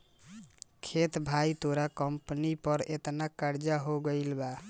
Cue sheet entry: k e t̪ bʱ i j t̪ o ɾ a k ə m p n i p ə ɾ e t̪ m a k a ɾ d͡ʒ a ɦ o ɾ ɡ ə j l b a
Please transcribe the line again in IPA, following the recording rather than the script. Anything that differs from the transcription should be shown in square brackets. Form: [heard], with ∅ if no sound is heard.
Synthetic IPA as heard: [kʰ] e t̪ bʱ [a] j t̪ o ɾ a k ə m p n i p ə ɾ e t̪ [n] a k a ɾ d͡ʒ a ɦ o [∅] ɡ ə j l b a